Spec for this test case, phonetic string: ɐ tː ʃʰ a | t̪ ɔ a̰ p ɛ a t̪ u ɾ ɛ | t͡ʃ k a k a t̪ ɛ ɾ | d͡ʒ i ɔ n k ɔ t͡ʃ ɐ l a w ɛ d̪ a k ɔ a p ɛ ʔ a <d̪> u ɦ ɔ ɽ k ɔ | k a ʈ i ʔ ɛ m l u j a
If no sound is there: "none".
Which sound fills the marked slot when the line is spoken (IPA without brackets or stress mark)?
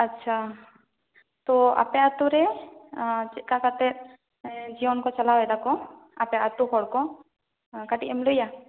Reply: t̪